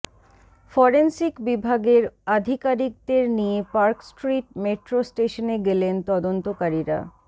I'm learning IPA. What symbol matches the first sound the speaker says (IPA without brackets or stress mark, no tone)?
f